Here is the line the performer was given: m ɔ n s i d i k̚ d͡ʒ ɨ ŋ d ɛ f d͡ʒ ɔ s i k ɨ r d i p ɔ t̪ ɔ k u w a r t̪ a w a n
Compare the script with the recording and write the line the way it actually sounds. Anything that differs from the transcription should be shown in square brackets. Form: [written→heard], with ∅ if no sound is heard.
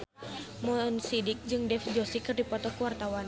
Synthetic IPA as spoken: m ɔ n s i d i k̚ d͡ʒ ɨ ŋ d ɛ f d͡ʒ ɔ s i k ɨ r d i p ɔ t̪ ɔ k u w a r t̪ a w a n